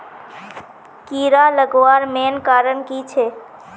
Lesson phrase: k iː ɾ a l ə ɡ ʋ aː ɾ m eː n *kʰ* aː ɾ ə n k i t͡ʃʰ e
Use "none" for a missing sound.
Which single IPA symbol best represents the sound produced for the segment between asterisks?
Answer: k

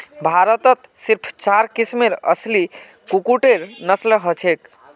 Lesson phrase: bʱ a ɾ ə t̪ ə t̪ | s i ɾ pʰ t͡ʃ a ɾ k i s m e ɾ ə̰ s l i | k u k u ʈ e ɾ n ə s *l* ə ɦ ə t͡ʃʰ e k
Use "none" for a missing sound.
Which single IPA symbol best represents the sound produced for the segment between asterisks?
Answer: l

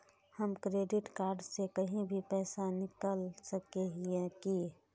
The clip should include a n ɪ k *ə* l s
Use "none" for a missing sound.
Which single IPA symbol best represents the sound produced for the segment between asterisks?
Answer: ə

